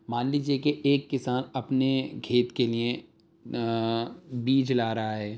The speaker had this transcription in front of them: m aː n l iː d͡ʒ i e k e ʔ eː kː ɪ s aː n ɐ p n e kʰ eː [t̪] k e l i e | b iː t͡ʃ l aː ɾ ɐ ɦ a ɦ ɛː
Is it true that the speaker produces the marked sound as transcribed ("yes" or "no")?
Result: yes